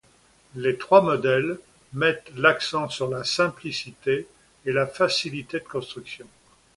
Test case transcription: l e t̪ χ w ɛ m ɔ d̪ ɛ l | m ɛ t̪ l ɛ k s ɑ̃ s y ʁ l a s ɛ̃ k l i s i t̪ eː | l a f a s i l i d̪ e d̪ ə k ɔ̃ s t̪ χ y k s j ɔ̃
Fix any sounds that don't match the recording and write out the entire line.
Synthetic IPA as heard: l e t̪ χ w a m ɔ d̪ ɛ l | m ɛ t̪ l a k s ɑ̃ s y ʁ l a s ɛ̃ p l i s i t̪ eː | l a f a s i l i t̪ e d̪ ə k ɔ̃ s t̪ χ y k s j ɔ̃